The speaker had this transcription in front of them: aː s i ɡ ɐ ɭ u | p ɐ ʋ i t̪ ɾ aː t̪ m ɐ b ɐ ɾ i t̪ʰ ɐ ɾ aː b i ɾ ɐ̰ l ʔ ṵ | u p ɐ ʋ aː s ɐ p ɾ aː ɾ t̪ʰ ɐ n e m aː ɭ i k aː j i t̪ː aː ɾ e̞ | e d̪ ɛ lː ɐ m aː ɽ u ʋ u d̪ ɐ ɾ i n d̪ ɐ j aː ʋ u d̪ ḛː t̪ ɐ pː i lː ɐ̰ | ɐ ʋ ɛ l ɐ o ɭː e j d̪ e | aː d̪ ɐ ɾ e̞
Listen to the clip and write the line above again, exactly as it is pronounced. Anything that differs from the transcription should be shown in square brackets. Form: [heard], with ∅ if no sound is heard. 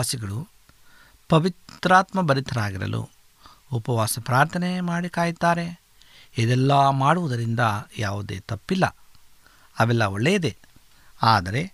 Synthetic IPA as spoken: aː s i ɡ ɐ ɭ u | p ɐ ʋ i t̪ ɾ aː t̪ m ɐ b ɐ ɾ i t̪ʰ ɐ ɾ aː [ɡ] i ɾ ɐ̰ l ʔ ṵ | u p ɐ ʋ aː s ɐ p ɾ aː ɾ t̪ʰ ɐ n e m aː [ɽ] i k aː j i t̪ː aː ɾ e̞ | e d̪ ɛ lː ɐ m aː ɽ u ʋ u d̪ ɐ ɾ i n d̪ ɐ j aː ʋ u d̪ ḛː t̪ ɐ pː i lː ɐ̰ | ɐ ʋ ɛ [lː] ɐ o ɭː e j d̪ e | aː d̪ ɐ ɾ e̞